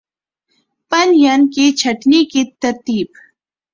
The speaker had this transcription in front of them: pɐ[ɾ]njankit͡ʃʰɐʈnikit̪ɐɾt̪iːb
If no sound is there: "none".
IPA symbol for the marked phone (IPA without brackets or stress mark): none